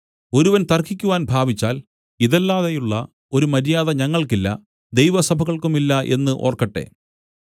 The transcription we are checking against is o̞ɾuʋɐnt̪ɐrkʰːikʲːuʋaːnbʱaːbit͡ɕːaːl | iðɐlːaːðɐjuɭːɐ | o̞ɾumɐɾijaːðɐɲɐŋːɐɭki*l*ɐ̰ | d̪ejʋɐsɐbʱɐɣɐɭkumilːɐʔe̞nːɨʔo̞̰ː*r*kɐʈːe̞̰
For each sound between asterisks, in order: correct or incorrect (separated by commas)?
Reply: incorrect, correct